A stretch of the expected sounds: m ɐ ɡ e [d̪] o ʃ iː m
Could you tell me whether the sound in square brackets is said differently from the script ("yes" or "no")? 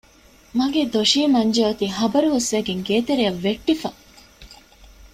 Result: no